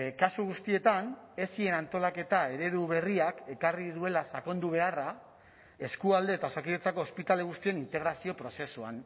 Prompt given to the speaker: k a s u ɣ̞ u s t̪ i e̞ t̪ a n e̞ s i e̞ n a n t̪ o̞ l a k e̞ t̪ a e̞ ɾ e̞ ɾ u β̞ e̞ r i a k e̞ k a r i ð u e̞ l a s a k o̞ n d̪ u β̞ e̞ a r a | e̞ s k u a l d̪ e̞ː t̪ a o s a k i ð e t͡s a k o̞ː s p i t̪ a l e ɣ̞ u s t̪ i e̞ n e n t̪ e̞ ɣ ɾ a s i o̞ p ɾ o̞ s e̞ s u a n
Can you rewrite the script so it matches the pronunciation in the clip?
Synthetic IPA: k a s u ɣ̞ u s t̪ i e̞ t̪ a n e̞ s i e̞ n a n t̪ o̞ l a k e̞ t̪ a e̞ ɾ e̞ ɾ u β̞ e̞ r i a k e̞ k a r i ð u e̞ l a s a k o̞ n d̪ u β̞ e̞ a r a | e̞ s k u a l d̪ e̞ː t̪ a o s a k i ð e t͡s a k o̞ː s p i t̪ a l e ɣ̞ u s t̪ i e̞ n i n t̪ e̞ ɣ ɾ a s i o̞ p ɾ o̞ s e̞ s u a n